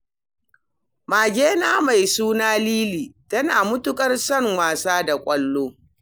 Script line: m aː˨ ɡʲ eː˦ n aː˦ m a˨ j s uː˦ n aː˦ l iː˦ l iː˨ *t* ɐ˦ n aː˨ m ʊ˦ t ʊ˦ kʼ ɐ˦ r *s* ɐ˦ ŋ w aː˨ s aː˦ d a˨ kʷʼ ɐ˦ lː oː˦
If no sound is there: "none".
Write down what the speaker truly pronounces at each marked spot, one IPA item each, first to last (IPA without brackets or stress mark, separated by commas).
t, s